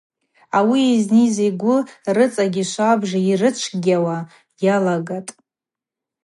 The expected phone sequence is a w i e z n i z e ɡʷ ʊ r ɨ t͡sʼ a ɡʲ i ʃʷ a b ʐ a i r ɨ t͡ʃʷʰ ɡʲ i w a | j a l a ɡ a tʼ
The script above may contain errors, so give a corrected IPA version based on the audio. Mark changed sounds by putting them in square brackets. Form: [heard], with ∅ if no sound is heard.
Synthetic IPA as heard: a w i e z n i z e ɡʷ ʊ r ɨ t͡sʼ a ɡʲ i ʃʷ a b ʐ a i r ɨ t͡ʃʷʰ ɡʲ [a] w a | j a l a ɡ a tʼ